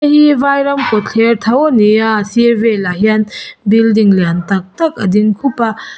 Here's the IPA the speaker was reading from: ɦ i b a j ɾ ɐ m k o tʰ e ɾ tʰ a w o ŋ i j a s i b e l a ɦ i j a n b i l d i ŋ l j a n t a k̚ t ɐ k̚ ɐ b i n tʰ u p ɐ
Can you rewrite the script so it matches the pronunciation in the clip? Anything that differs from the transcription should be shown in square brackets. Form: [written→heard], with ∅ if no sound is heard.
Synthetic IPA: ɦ i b a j ɾ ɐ m k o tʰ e ɾ tʰ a w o [ŋ→n] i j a s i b e l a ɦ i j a n b i l d i ŋ l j a n t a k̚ t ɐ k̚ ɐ [b→d] i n [tʰ→kʰ] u p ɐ